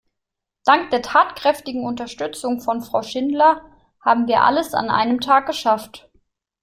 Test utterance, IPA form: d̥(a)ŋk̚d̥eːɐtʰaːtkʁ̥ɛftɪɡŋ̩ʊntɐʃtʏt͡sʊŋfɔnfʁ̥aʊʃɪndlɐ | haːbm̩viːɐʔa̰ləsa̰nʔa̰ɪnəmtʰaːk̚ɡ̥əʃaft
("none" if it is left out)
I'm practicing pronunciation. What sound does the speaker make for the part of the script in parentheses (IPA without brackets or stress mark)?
a